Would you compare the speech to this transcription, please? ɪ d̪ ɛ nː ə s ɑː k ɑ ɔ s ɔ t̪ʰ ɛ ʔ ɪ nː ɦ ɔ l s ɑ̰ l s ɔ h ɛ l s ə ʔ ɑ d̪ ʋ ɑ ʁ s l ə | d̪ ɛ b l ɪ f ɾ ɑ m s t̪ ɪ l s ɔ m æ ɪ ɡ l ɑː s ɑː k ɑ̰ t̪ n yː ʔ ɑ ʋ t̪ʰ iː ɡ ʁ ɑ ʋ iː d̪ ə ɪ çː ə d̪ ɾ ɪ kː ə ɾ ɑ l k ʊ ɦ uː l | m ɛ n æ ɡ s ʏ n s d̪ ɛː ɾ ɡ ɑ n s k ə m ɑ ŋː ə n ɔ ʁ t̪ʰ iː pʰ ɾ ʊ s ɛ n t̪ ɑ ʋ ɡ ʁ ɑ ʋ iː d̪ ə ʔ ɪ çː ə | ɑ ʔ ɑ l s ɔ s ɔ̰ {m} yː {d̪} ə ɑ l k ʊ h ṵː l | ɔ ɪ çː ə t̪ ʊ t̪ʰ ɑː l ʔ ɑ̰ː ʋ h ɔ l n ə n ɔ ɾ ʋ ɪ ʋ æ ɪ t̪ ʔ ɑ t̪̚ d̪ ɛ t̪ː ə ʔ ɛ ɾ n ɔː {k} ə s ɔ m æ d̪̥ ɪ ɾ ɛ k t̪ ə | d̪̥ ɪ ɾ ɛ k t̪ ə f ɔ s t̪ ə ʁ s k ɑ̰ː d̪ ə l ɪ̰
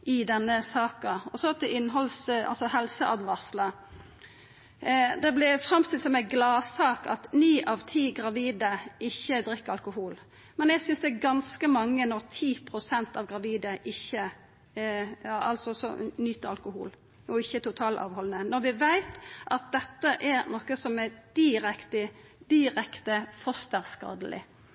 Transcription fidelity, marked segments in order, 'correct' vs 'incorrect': incorrect: n, incorrect: t̪, correct

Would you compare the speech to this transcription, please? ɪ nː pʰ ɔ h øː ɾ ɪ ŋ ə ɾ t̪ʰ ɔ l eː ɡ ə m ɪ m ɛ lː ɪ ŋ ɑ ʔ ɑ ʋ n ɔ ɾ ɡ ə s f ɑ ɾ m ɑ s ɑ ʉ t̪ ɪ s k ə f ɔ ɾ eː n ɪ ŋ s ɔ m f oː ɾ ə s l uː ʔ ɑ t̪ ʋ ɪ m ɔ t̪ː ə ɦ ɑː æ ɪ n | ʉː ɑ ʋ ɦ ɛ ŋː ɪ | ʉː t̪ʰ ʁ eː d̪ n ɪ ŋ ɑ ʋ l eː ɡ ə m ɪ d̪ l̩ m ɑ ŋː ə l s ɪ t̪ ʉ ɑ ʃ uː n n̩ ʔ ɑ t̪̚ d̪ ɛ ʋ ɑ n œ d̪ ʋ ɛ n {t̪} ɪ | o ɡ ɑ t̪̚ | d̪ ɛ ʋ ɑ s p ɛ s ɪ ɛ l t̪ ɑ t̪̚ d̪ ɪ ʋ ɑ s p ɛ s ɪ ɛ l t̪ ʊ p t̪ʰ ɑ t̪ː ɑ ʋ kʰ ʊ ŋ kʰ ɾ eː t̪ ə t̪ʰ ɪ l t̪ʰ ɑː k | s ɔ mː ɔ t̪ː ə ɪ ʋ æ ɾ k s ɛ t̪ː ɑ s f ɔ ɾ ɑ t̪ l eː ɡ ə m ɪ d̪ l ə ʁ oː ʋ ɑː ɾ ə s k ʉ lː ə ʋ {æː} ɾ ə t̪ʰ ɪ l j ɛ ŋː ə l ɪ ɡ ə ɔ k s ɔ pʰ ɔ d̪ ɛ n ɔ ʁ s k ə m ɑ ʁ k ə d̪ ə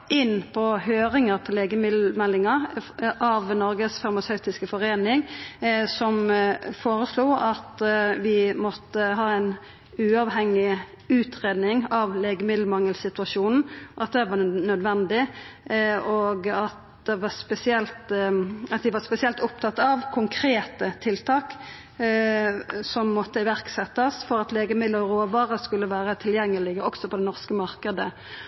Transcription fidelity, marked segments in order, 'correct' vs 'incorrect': incorrect: d̪, correct

